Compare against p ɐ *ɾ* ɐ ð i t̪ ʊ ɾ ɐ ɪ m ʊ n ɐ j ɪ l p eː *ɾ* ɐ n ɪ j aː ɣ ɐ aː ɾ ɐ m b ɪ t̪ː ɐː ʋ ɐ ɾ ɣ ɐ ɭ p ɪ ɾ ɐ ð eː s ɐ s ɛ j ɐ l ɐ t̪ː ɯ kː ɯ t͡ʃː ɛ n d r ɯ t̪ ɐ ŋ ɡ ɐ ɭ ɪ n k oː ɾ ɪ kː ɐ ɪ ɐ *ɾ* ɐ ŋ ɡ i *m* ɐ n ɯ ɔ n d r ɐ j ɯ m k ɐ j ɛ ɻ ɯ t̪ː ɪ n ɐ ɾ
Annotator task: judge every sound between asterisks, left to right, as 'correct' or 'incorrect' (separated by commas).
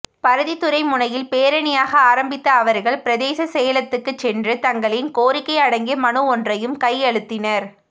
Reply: correct, correct, incorrect, correct